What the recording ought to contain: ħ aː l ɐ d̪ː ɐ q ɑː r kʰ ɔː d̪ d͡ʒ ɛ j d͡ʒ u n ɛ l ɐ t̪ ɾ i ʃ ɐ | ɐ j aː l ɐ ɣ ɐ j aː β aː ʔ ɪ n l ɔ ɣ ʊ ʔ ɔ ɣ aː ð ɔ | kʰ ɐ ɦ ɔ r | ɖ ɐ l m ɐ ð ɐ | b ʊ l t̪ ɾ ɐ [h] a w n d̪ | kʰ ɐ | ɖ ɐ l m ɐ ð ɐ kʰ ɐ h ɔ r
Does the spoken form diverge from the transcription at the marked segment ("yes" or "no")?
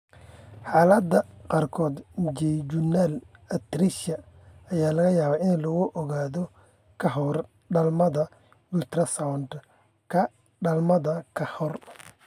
yes